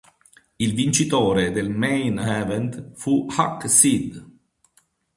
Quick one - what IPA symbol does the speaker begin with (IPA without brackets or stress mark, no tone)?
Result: i